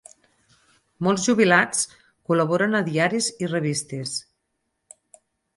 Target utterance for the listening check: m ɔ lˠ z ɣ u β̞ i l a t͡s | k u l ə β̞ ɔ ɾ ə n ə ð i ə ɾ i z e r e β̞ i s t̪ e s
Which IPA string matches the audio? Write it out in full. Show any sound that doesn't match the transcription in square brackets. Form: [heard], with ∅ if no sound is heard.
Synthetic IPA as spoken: m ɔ lˠ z [ʒ] u β̞ i l a t͡s | k u l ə β̞ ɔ ɾ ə n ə ð i [a] ɾ i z [i] r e β̞ i s t̪ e s